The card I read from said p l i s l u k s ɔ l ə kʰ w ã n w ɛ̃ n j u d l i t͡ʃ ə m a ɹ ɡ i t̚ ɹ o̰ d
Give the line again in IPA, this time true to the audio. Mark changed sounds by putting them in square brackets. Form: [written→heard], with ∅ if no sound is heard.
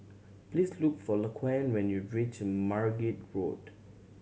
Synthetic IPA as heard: p l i s l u k [s→f] ɔ l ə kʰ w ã n w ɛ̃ n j u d [l→ɹ] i t͡ʃ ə m a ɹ ɡ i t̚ ɹ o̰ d